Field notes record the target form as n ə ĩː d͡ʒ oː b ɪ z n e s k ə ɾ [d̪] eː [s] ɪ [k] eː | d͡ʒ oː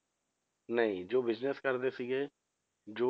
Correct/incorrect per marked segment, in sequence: correct, correct, incorrect: ɡ

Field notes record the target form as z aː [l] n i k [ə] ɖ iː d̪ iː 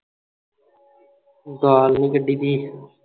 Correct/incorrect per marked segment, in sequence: correct, correct

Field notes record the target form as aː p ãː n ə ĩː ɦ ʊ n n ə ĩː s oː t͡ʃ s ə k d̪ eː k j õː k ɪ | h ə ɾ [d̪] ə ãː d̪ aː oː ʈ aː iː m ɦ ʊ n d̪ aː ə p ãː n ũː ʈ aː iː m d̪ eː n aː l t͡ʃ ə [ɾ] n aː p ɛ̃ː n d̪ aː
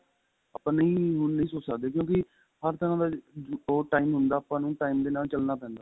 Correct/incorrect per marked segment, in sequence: incorrect: t̪, incorrect: l

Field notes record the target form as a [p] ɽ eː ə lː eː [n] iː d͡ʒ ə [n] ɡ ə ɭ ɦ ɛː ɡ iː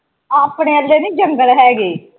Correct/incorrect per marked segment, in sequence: correct, correct, incorrect: ŋ

